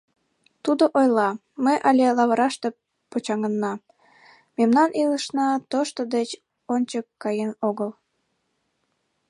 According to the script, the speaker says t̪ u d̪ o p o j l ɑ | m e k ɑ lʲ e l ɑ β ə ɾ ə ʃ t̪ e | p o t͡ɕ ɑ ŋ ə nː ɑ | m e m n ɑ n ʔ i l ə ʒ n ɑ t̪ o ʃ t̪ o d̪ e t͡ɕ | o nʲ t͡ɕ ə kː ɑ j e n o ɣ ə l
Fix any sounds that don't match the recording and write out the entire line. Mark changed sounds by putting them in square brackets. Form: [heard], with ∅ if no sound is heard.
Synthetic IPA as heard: t̪ u d̪ o [ʔ] o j l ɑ | m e [ʔ] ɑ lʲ e l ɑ β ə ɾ [ɑ] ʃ t̪ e | p o t͡ɕ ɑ ŋ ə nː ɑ | m e m n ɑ n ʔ i l ə [ʃ] n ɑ t̪ o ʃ t̪ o d̪ e t͡ɕ | o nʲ t͡ɕ ə kː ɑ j e n o ɣ ə l